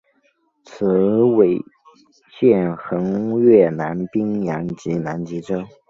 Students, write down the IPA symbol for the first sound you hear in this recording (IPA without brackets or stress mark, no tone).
t͡sʰ